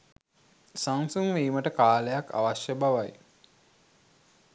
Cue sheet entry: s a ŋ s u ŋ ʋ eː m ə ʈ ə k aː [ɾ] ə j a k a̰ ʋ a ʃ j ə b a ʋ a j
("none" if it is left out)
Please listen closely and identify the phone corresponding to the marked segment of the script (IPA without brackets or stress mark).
l